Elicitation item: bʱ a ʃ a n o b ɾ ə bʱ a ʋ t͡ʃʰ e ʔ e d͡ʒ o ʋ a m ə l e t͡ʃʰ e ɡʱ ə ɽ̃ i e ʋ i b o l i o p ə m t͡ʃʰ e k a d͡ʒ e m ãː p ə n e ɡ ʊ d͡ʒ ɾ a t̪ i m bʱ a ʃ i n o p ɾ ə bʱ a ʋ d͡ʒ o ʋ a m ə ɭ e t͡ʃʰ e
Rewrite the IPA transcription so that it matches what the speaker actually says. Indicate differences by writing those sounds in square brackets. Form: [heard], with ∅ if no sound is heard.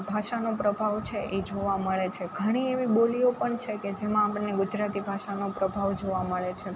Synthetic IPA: bʱ a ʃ a n o [p] ɾ ə bʱ a ʋ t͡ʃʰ e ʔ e d͡ʒ o ʋ a m ə [ɭ] e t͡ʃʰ e ɡʱ ə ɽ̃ i e ʋ i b o l i o p ə [ɳ] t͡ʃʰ e k [e] d͡ʒ e m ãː p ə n e ɡ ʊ d͡ʒ ɾ a t̪ i [∅] bʱ a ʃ [a] n o p ɾ ə bʱ a ʋ d͡ʒ o ʋ a m ə ɭ e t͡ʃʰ e